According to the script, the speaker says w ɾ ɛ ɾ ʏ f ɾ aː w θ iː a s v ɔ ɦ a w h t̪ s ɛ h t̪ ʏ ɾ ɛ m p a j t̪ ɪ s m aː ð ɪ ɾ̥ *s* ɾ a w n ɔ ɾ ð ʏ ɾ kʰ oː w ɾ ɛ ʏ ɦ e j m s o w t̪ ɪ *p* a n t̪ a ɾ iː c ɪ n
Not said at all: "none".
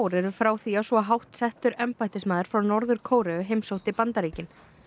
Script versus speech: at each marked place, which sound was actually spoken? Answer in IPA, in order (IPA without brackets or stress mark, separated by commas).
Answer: f, p